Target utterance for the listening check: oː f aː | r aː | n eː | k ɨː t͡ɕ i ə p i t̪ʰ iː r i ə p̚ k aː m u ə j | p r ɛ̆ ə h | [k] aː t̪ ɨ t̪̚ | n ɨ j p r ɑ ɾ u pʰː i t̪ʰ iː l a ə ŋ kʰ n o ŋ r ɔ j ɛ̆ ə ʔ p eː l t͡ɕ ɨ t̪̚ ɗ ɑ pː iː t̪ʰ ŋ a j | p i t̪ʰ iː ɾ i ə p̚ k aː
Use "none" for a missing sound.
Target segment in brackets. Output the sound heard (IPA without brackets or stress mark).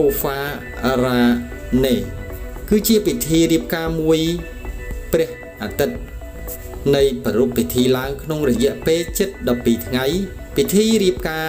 ʔ